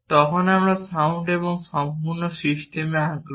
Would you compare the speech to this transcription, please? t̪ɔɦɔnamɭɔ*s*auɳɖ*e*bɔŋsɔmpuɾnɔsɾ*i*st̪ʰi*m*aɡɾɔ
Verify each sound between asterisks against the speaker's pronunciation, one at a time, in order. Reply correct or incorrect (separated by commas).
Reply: correct, correct, correct, correct